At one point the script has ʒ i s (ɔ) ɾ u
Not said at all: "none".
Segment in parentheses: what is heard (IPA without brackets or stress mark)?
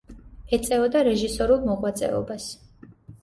ɔ